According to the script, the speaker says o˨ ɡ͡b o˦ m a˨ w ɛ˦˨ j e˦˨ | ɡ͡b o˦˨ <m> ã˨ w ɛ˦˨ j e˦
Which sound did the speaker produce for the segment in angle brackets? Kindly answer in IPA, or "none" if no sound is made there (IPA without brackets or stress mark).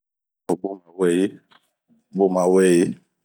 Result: m